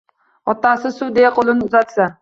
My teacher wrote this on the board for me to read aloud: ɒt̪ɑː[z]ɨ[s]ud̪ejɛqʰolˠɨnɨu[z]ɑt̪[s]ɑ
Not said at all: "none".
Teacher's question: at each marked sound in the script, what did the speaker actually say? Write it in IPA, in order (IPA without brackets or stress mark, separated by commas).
s, s, z, s